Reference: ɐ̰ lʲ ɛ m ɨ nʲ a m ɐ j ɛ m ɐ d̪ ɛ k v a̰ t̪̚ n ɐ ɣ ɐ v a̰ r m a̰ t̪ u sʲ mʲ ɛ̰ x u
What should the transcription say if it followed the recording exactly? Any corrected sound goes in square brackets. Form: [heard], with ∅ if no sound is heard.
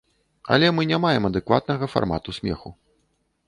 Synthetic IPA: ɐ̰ lʲ ɛ m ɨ nʲ a m [a] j ɛ m ɐ d̪ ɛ k v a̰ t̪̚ n ɐ ɣ ɐ [f] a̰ r m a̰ t̪ u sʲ mʲ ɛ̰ x u

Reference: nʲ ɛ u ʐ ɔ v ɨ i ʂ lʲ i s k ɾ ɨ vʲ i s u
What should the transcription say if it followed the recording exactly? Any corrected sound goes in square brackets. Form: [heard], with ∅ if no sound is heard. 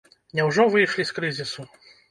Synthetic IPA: nʲ ɛ [w] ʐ ɔ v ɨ [j] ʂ lʲ i s k ɾ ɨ [zʲ] i s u

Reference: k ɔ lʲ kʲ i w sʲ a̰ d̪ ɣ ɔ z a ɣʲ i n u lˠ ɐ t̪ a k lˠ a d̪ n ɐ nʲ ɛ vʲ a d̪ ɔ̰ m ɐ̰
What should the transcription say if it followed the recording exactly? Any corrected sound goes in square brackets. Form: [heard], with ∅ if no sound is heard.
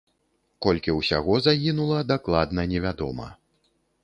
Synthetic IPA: k ɔ lʲ kʲ i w sʲ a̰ [∅] ɣ ɔ z a ɣʲ i n u lˠ ɐ [d̪] a k lˠ a d̪ n ɐ nʲ ɛ vʲ a d̪ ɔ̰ m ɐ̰

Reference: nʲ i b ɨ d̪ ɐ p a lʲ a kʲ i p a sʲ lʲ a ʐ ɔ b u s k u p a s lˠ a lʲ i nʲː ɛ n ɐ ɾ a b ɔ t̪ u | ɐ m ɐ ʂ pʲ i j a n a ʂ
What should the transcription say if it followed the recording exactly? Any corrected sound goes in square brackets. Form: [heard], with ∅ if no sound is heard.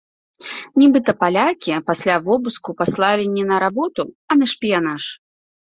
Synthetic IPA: nʲ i b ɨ [t̪] ɐ p a lʲ a kʲ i p a sʲ lʲ a [v] ɔ b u s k u p a s lˠ a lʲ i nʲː ɛ n ɐ ɾ a b ɔ t̪ u | ɐ [n] ɐ ʂ pʲ i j a n a ʂ

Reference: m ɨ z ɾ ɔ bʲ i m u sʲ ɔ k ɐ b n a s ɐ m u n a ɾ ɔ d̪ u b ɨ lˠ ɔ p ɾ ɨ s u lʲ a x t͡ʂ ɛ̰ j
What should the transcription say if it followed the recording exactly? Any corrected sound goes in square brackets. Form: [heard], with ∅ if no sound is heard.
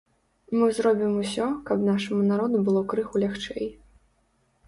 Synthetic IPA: m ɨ z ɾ ɔ bʲ i m u sʲ ɔ k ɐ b n a [ʂ] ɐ m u n a ɾ ɔ d̪ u b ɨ lˠ ɔ [k] ɾ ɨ [x] u lʲ a x t͡ʂ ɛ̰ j

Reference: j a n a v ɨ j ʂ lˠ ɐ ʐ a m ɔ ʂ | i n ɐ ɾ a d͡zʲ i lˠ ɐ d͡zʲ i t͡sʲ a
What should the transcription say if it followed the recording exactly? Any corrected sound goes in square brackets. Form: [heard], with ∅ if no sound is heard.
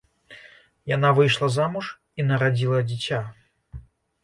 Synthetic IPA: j a n a v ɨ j ʂ lˠ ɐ [z] a m [u] ʂ | i n ɐ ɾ a d͡zʲ i lˠ ɐ d͡zʲ i t͡sʲ a

